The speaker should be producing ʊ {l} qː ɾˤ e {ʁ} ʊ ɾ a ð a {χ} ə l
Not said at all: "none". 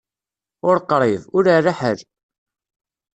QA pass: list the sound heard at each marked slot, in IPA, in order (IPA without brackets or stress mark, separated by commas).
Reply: ɾ, v, ħ